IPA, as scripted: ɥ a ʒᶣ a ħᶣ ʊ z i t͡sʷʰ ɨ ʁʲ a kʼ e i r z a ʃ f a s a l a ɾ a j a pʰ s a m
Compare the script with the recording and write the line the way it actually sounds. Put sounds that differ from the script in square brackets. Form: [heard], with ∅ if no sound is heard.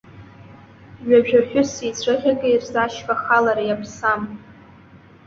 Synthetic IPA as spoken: ɥ a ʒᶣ a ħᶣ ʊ [s] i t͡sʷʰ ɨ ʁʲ a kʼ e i r z a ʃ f a [χ] a l a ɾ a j a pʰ s a m